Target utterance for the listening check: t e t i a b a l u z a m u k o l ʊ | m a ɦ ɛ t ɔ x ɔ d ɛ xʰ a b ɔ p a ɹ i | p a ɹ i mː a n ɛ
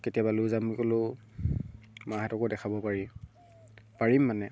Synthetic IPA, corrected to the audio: k e t i a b a l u z a m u k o l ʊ | m a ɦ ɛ t ɔ k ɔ d ɛ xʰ a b ɔ p a ɹ i | p a ɹ i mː a n ɛ